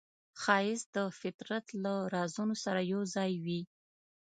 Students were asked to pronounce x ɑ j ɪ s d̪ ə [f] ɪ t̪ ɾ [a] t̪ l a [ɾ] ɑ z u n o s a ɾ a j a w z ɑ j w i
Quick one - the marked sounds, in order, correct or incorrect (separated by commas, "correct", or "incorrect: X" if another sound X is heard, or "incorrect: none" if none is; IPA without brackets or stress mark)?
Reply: correct, correct, correct